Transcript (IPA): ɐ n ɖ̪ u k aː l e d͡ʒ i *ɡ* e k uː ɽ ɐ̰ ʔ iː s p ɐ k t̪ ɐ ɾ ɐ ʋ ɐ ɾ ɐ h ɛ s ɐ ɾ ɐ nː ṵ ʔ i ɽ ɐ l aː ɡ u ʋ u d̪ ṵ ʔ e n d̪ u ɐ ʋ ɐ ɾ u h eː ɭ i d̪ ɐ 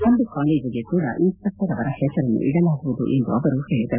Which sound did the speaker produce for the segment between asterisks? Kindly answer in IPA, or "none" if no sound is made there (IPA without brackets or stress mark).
ɡ